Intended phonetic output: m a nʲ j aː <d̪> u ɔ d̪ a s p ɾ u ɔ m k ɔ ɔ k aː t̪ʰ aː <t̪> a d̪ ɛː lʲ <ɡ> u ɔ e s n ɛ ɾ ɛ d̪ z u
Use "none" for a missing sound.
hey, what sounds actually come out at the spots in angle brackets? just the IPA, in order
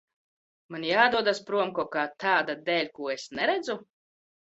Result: d̪, d̪, k

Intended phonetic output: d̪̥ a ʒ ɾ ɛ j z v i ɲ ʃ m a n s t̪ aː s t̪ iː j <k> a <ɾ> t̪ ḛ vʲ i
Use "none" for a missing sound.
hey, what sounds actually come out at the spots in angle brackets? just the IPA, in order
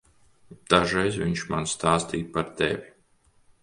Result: p, ɾ

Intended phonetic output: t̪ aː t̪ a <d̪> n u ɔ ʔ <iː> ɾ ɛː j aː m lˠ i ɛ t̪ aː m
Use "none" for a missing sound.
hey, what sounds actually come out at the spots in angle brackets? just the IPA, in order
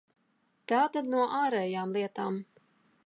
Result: d̪, aː

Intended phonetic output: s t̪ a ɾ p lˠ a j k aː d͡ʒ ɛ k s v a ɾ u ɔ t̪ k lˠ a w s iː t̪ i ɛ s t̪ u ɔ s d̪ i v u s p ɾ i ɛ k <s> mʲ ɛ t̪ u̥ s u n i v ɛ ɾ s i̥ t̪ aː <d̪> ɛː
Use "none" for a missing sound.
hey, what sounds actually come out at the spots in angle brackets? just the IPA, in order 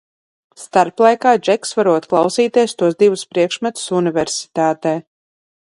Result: ʃ, t̪

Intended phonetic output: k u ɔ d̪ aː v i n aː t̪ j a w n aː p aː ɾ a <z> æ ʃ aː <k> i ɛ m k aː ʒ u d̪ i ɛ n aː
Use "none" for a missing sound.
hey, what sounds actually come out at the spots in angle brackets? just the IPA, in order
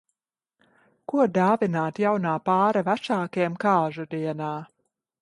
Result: v, k

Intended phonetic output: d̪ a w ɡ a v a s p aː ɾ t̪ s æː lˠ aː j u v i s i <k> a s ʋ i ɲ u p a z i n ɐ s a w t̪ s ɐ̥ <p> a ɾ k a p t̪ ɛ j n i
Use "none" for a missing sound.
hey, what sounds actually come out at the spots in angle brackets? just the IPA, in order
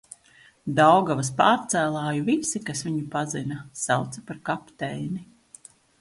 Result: k, p

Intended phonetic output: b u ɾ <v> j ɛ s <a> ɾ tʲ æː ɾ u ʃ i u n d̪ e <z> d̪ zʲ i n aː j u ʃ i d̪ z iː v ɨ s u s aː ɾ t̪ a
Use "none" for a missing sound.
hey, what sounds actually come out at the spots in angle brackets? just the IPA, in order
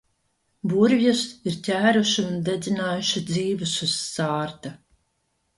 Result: v, i, none

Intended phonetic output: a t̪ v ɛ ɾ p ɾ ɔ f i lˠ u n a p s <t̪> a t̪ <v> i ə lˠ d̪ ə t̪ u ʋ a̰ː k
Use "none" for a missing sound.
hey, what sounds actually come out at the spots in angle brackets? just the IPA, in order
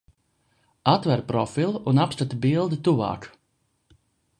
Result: t̪, b

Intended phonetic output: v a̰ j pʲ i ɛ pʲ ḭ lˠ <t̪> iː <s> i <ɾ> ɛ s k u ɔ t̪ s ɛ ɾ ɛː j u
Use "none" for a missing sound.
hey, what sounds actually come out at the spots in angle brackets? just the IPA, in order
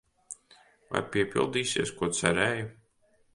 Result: d̪, s, none

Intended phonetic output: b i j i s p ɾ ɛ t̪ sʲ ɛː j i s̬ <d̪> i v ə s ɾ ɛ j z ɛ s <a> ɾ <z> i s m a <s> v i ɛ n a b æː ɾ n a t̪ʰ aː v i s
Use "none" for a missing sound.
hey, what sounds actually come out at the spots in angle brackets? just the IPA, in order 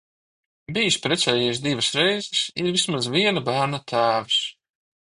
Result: d̪, i, v, z

